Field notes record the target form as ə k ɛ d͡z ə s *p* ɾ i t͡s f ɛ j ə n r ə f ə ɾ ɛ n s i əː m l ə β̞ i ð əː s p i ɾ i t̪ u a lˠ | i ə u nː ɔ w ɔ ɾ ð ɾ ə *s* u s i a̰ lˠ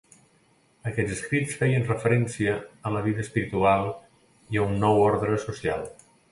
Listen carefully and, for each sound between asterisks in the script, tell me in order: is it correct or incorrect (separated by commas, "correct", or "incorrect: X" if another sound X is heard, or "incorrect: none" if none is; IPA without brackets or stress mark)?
incorrect: k, correct